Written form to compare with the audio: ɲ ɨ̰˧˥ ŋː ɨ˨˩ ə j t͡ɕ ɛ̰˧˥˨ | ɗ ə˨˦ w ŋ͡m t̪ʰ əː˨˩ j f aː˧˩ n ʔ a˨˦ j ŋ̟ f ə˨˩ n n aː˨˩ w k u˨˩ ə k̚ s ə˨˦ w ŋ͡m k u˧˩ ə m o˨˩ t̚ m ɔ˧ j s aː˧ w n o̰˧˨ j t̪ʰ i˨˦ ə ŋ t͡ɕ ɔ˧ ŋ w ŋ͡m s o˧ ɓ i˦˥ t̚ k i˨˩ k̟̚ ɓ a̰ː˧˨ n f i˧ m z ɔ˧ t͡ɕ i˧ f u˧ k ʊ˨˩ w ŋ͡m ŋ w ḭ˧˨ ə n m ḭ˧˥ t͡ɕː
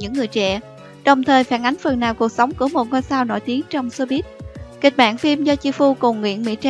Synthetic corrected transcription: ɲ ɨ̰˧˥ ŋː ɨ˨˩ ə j t͡ɕ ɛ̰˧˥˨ | ɗ ə˨˩ w ŋ͡m t̪ʰ əː˨˩ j f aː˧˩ n ʔ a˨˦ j ŋ̟ f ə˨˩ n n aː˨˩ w k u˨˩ ə k̚ s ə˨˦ w ŋ͡m k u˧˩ ə m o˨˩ t̚ ŋ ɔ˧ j s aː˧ w n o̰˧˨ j t̪ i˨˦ ə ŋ t͡ɕ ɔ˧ w ŋ͡m s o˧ ɓ i˦˥ t̚ k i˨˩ k̟̚ ɓ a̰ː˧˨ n f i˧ m z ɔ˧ t͡ɕ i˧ f u˧ k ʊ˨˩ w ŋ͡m ŋ w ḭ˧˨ ə n m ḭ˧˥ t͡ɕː